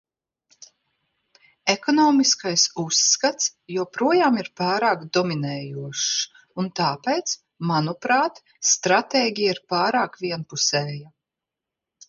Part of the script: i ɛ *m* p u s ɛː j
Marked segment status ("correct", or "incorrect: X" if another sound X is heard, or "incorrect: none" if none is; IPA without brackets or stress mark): incorrect: n